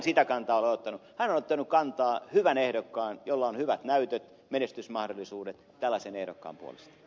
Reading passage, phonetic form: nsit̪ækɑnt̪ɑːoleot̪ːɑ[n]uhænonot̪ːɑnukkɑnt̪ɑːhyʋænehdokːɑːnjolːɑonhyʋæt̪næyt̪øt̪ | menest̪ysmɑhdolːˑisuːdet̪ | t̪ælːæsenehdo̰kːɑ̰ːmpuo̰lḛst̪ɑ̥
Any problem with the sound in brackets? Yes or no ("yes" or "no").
no